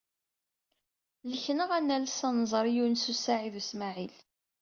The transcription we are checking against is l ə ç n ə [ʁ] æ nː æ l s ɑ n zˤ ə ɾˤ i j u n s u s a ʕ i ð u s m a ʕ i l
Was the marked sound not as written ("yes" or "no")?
no